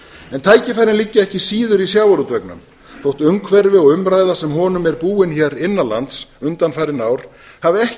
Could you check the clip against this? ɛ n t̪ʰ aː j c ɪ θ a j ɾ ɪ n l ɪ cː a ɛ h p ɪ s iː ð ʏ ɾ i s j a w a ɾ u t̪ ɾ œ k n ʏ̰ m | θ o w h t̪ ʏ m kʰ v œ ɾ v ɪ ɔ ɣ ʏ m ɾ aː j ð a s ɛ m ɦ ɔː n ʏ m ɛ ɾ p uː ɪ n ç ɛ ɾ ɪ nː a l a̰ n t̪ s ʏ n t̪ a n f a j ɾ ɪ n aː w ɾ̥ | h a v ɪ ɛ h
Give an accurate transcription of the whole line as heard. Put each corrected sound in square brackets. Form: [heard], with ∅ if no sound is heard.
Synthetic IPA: ɛ n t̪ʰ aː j c ɪ [f] a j ɾ ɪ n l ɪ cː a ɛ h [c] ɪ s iː ð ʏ ɾ i s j a w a ɾ u t̪ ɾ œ k n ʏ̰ m | θ o w h t̪ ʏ [ŋ] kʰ v [ɛ] ɾ v ɪ ɔ ɣ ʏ m ɾ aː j ð a s ɛ m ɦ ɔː n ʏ m ɛ ɾ p uː ɪ n ç ɛ ɾ ɪ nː a l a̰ n t̪ s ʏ n t̪ a n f a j ɾ ɪ n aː w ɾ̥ | h a v ɪ ɛ h